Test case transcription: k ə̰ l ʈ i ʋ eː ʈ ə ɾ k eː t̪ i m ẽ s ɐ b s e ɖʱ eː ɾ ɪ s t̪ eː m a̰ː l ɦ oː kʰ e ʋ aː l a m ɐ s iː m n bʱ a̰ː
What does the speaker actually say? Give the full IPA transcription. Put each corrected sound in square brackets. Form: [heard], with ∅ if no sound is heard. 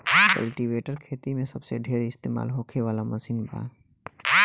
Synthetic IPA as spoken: k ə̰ l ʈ i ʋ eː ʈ ə ɾ [kʰ] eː t̪ i m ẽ s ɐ b s e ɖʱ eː ɾ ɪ s t̪ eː m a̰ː l ɦ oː kʰ e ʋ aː l a m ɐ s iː [∅] n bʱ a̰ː